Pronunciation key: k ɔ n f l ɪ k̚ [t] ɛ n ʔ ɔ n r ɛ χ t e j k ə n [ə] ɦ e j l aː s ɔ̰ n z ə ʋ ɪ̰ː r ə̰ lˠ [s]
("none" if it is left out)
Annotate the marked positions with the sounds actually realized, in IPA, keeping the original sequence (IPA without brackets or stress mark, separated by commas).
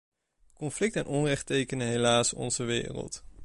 t, ə, t